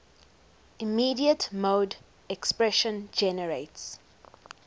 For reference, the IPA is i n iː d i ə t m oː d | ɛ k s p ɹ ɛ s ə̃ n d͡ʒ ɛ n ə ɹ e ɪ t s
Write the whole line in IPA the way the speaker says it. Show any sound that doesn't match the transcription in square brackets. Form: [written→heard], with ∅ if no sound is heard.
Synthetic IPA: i [n→m] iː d i ə t m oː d | ɛ k s p ɹ ɛ [s→ʃ] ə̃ n d͡ʒ ɛ n ə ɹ e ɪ t s